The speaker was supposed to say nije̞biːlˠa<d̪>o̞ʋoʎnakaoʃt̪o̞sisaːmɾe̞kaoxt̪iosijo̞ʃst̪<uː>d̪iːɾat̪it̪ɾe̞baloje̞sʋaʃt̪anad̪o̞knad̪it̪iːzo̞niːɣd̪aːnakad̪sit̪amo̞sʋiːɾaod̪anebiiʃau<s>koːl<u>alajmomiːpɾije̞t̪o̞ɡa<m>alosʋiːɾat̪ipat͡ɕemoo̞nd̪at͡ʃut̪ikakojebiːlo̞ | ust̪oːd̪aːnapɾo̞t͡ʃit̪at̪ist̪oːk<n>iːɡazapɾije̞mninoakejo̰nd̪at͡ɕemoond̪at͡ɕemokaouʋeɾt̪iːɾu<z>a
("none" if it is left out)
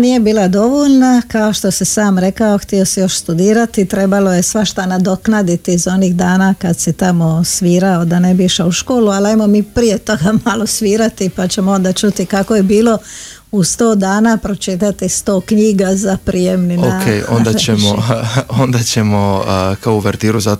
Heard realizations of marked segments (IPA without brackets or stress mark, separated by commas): d̪, u, ʃ, u, m, ɲ, z